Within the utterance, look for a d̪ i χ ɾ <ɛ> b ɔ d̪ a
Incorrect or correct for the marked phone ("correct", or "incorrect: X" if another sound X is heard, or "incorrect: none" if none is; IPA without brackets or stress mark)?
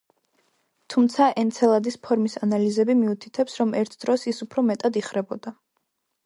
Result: correct